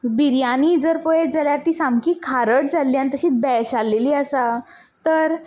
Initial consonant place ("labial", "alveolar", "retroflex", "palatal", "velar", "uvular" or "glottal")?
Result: labial